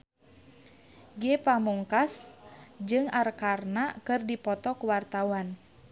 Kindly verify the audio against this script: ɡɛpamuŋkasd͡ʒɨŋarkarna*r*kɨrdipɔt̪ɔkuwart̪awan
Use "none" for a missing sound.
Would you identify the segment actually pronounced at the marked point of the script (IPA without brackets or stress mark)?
none